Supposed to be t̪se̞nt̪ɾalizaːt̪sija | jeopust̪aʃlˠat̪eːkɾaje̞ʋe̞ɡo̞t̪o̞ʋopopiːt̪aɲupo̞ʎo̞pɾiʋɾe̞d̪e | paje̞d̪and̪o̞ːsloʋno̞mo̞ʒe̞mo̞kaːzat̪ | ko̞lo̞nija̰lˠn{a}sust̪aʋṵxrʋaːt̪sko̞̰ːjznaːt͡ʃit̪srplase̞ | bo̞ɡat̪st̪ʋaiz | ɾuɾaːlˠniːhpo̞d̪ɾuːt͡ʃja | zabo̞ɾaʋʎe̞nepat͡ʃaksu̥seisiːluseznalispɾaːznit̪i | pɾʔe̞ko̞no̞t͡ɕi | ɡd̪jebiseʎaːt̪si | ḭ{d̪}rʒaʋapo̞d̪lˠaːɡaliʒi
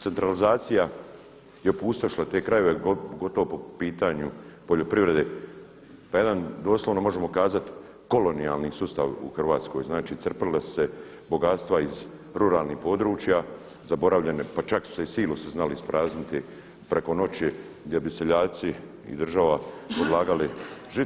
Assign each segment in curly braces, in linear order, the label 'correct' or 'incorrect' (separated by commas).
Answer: incorrect, correct